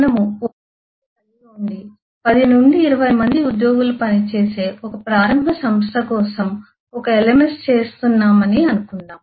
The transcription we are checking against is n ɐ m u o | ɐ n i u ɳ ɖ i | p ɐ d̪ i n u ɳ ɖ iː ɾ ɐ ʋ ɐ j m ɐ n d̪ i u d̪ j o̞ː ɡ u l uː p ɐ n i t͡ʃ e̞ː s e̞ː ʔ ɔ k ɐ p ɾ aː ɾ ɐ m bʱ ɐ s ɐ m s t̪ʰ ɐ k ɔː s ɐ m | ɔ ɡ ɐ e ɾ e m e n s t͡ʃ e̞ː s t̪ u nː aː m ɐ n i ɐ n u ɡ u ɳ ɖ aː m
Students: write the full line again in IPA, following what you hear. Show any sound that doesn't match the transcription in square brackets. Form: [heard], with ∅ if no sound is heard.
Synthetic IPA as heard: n ɐ m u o | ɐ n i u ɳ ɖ i | p ɐ d̪ i n u ɳ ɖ iː ɾ ɐ ʋ ɐ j m ɐ n d̪ i u d̪ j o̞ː ɡ u l [u] p ɐ n i t͡ʃ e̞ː s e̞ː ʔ ɔ k ɐ p ɾ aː ɾ ɐ m bʱ ɐ s ɐ m s t̪ʰ ɐ k ɔː s ɐ m | ɔ [k] ɐ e [l] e m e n s t͡ʃ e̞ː s t̪ u nː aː m ɐ n i ɐ n u [k] u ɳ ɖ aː m